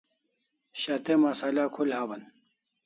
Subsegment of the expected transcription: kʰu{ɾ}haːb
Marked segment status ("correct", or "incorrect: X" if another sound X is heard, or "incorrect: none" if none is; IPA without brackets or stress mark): incorrect: l